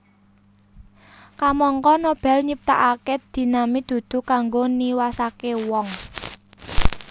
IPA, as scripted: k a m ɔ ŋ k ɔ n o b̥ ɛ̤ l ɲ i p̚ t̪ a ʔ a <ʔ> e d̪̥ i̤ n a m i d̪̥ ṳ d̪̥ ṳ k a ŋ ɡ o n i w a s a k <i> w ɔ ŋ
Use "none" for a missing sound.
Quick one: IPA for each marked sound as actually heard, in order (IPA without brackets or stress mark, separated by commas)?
k, e